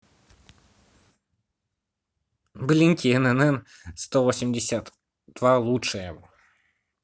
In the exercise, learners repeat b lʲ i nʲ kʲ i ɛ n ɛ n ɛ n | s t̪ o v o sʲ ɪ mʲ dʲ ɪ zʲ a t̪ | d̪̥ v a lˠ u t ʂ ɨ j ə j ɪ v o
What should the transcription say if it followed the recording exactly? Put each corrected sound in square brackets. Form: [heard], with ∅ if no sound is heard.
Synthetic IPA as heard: b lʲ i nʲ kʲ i ɛ n ɛ n ɛ n | s t̪ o v o sʲ ɪ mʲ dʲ ɪ [sʲ] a t̪ | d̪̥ v a lˠ u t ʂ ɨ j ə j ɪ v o